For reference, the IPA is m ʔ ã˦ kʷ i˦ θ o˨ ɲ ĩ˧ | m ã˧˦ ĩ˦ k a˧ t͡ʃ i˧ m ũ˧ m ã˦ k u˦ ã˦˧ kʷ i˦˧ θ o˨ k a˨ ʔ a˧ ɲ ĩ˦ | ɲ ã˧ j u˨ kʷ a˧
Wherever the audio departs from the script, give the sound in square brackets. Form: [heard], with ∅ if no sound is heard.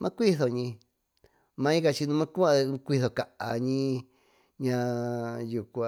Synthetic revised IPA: m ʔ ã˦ kʷ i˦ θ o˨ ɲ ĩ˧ | m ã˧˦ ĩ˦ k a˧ t͡ʃ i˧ [n] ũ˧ m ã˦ k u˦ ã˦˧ kʷ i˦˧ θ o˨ k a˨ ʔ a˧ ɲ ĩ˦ | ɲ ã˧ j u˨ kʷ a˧